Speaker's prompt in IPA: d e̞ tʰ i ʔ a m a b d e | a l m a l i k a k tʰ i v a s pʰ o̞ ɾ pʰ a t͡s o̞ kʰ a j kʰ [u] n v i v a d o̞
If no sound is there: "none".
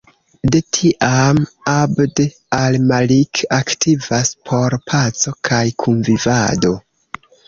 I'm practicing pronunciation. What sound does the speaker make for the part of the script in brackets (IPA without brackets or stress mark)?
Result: u